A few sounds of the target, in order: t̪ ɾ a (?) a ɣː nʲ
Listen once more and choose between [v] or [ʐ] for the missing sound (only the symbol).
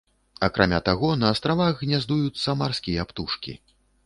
v